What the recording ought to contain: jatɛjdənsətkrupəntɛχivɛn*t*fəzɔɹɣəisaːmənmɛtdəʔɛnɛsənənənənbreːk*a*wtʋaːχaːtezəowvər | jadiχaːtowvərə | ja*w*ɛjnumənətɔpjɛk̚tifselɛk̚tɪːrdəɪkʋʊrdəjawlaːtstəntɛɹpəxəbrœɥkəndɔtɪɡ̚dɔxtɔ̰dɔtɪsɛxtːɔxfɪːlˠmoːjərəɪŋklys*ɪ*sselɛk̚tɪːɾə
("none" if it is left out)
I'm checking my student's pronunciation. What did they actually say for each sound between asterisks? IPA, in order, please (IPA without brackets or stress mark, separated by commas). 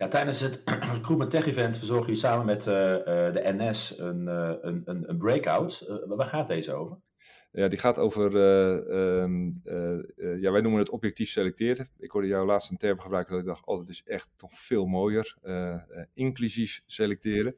t, a, ʋ, i